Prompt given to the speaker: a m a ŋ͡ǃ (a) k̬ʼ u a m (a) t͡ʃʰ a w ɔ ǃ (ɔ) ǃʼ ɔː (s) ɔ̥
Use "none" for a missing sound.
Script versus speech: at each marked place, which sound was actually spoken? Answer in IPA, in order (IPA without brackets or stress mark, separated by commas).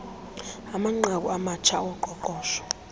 a, a, ɔ, ʃ